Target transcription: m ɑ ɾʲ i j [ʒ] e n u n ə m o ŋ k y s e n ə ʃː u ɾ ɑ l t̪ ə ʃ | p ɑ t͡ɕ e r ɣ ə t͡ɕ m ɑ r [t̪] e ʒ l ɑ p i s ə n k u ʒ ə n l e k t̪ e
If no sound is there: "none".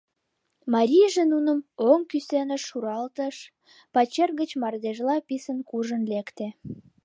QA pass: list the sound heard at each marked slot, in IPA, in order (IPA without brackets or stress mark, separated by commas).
ʒ, d̪